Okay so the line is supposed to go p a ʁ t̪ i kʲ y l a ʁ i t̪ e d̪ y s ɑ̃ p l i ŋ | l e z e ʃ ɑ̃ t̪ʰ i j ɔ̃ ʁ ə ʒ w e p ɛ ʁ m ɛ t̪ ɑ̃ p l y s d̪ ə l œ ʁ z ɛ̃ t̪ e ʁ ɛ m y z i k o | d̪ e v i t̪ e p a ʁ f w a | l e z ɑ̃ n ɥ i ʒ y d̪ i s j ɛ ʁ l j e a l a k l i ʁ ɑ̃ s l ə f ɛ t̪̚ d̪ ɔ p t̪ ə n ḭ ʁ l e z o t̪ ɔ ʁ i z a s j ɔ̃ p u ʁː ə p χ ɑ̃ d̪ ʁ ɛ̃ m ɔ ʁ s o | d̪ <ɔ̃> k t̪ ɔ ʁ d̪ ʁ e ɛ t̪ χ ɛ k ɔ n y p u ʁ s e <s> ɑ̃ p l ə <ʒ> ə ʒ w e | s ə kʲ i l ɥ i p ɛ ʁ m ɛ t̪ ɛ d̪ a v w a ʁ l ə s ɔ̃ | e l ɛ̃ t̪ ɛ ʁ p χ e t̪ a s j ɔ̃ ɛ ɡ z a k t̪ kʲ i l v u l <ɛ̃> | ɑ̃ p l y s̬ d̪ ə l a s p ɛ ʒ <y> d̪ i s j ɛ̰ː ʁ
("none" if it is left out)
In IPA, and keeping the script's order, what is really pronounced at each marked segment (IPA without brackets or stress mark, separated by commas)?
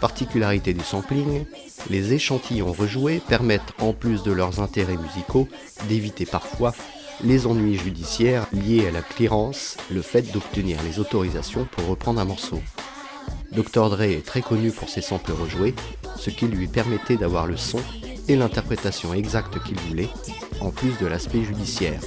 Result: ɔ, s, ʁ, ɛ, y